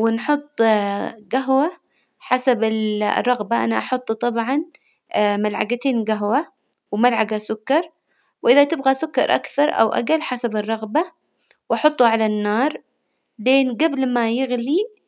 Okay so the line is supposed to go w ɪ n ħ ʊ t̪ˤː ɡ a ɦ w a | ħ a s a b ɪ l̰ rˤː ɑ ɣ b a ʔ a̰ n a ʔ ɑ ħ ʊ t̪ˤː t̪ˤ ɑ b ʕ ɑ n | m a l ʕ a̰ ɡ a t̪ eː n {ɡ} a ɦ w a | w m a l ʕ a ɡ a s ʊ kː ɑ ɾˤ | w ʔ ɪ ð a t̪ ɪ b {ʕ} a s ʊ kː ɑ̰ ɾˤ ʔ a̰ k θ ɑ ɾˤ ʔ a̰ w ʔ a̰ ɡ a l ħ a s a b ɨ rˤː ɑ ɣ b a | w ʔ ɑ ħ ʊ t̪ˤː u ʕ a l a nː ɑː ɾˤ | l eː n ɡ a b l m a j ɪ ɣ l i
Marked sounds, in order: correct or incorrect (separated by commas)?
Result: correct, incorrect